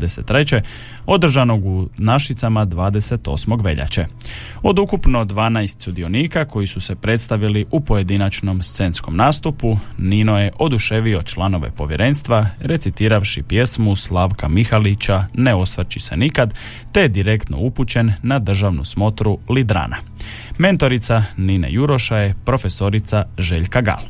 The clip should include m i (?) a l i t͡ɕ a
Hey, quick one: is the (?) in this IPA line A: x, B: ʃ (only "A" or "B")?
A